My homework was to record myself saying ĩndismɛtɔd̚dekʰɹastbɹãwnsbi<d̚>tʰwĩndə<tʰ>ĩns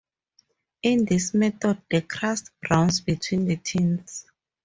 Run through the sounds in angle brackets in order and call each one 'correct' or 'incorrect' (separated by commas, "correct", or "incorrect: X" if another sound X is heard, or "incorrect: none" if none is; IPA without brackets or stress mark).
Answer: incorrect: none, correct